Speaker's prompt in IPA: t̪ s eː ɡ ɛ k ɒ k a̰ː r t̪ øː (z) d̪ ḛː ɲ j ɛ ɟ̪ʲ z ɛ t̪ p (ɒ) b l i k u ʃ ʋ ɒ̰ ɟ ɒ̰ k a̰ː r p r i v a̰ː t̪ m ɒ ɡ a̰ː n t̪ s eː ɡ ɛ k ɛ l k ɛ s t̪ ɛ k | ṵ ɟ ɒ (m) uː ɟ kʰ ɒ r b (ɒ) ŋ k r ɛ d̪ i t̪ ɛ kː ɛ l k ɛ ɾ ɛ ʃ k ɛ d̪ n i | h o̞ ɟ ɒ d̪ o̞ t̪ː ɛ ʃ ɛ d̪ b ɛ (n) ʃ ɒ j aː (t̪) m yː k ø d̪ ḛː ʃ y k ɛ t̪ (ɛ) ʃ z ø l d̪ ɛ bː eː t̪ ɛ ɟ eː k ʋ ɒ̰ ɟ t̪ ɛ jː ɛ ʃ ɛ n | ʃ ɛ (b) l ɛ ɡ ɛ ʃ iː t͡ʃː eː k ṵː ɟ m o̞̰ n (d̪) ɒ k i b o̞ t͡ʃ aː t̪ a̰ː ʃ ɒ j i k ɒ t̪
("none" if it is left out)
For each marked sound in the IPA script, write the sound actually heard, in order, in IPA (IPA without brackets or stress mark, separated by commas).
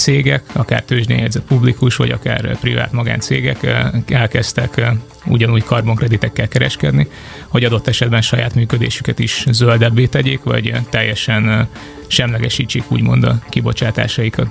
ʒ, u, n, o, n, t̪, i, m, d̪